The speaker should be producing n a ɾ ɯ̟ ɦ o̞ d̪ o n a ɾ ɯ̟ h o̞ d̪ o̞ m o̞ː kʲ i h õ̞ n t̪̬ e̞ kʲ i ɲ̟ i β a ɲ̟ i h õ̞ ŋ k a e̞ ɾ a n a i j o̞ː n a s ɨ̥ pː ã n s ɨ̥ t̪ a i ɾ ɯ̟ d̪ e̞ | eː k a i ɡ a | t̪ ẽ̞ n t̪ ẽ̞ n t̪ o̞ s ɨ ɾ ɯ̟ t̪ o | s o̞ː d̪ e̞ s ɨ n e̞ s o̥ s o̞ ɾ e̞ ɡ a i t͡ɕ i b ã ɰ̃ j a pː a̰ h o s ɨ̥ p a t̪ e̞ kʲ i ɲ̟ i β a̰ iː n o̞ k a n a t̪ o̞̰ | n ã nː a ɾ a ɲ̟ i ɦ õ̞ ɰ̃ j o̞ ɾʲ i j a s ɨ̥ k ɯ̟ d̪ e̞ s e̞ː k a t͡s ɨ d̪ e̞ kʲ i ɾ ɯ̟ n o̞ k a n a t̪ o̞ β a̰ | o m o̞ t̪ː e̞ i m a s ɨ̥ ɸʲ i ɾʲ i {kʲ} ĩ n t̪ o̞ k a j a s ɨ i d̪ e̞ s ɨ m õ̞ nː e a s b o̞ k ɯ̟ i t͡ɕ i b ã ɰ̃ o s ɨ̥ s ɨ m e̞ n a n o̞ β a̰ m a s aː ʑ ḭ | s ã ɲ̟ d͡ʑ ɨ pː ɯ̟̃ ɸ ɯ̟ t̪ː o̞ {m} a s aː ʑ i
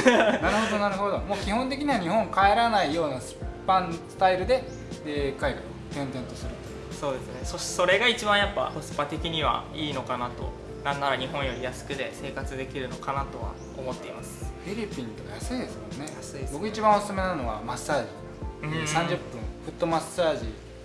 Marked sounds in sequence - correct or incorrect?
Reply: incorrect, correct

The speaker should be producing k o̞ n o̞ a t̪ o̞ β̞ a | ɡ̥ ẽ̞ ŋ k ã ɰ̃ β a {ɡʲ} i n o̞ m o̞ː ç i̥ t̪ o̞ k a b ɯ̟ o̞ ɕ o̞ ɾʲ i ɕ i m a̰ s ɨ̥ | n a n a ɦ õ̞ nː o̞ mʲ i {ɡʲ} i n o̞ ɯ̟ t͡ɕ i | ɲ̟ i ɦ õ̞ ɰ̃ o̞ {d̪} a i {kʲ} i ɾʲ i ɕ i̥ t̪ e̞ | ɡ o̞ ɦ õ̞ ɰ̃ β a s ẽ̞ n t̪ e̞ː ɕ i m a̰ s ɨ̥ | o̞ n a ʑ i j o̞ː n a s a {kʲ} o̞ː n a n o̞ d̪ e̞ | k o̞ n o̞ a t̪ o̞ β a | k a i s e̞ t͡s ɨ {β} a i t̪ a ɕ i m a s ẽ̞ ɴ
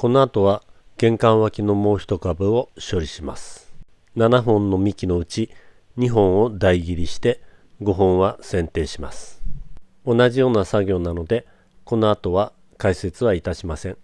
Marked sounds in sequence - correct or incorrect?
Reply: incorrect, incorrect, correct, incorrect, incorrect, correct

